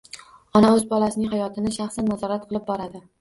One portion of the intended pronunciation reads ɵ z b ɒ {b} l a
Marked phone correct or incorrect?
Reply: incorrect